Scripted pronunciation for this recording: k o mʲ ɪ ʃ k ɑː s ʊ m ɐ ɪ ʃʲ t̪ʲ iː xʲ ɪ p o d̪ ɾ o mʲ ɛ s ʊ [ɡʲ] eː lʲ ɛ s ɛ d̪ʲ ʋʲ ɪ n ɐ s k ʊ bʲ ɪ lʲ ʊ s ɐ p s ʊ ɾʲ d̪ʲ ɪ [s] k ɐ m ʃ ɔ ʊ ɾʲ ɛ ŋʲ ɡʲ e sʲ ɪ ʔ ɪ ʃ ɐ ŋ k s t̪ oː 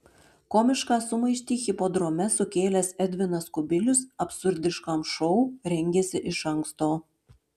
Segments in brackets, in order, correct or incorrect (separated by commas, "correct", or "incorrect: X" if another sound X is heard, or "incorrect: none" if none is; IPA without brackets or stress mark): incorrect: kʲ, incorrect: ʃ